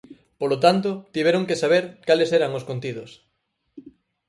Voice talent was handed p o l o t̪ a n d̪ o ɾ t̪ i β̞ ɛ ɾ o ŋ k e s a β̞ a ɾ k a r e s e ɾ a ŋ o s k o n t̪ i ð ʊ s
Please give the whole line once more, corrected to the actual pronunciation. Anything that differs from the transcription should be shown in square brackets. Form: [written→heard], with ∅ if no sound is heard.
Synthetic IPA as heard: p o l o t̪ a n [d̪→t̪] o [ɾ→∅] t̪ i β̞ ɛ ɾ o ŋ k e s a β̞ [a→e] ɾ k a [r→l] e s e ɾ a ŋ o s k o n t̪ i ð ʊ s

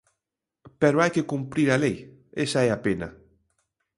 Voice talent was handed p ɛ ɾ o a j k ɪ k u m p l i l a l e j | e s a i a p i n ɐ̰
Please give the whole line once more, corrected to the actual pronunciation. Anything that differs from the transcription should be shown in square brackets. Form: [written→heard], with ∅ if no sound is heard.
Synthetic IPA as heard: p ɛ ɾ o a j k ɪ k u m p [l→ɾ] i [l→ɾ] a l e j | e s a [i→ɛ] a p [i→e] n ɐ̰

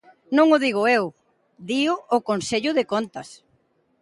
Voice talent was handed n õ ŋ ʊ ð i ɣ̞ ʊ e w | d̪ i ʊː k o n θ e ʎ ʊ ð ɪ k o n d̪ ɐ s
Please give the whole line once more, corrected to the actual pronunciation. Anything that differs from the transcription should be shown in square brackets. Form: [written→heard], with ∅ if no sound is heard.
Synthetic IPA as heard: n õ ŋ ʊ ð i ɣ̞ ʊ e w | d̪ i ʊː k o n [θ→s] e ʎ ʊ ð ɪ k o n [d̪→t̪] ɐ s

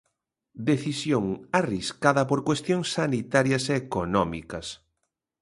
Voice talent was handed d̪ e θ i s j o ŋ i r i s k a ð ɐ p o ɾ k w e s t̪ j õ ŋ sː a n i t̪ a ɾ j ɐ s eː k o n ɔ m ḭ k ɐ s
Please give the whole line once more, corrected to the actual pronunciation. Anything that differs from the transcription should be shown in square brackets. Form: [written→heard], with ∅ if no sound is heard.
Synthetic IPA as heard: d̪ e θ i s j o ŋ [i→a] r i s k a ð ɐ p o ɾ k w e s t̪ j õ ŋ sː a n i t̪ a ɾ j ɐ s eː k o n ɔ m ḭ k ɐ s

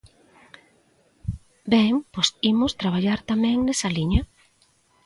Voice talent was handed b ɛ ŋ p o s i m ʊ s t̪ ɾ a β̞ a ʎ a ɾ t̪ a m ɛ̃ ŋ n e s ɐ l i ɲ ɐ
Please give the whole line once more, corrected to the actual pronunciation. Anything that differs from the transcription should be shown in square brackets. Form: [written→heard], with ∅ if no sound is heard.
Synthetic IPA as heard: b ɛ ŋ p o s i m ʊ s t̪ ɾ a β̞ a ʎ a ɾ t̪ a m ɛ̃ ŋ n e s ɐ l i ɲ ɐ

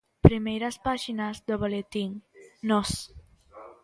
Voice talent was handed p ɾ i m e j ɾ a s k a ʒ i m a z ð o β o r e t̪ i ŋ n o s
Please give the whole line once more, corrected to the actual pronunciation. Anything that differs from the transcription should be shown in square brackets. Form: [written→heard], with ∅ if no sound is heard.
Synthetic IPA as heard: p ɾ i m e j ɾ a s [k→p] a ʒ i [m→n] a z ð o β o [r→l] e t̪ i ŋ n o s

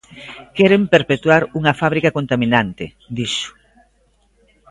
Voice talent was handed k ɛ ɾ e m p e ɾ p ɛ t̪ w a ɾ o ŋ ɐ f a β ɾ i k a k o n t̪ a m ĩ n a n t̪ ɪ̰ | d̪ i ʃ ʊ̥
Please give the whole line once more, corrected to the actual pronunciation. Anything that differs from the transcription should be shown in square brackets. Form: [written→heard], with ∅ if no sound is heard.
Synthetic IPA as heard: k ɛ ɾ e m p e ɾ p [ɛ→e] t̪ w a ɾ [o→u] ŋ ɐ f a β ɾ i k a k o n t̪ a m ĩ n a n t̪ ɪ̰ | d̪ i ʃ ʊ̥

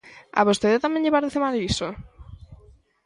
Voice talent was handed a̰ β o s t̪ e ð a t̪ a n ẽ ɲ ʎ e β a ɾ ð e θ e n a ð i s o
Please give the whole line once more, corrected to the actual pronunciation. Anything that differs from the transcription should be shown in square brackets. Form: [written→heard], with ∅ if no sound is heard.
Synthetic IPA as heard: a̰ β o s t̪ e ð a t̪ a [n→m] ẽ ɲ ʎ e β a ɾ ð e θ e [n→m] a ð i s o

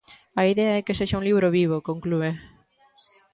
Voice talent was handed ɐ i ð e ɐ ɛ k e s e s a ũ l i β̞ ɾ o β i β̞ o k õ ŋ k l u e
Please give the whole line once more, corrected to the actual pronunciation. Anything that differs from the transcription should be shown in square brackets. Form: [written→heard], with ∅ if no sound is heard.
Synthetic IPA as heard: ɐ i ð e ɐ ɛ k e s e [s→ʃ] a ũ l i β̞ ɾ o β i β̞ o k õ ŋ k l u e

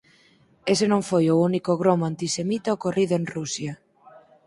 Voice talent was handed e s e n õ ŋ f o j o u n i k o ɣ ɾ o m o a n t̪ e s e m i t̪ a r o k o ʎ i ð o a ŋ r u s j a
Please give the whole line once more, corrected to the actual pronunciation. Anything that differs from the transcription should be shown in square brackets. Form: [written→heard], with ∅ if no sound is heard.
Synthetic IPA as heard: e s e n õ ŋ f o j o u n i k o ɣ ɾ o m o a n t̪ [e→i] s e m i t̪ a [r→∅] o k o [ʎ→r] i ð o [a→e] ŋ r u s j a

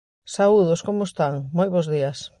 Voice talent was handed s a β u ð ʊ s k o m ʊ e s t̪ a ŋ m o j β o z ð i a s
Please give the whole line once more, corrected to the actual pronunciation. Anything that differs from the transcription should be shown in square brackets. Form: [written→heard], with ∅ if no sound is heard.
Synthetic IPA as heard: s a [β→∅] u ð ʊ s k o m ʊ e s t̪ a ŋ m o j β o z ð i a s

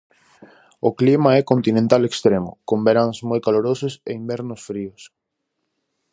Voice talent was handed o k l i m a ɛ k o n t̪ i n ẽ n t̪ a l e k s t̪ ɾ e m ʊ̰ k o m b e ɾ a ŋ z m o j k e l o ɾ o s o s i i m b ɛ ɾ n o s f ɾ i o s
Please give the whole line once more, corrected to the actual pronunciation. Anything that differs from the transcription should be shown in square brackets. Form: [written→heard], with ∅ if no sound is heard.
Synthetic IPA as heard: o k l i m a ɛ k o n t̪ i n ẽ n t̪ a l e k s t̪ ɾ e m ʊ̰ k o m b e ɾ a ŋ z m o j k [e→a] l o ɾ o s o s [i→e] i m b ɛ ɾ n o s f ɾ i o s

